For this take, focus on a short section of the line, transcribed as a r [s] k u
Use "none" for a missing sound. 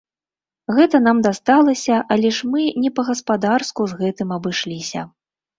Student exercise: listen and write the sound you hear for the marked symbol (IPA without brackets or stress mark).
s